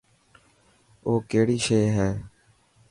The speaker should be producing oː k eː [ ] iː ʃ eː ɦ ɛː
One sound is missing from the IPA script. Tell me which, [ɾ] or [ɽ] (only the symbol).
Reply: ɽ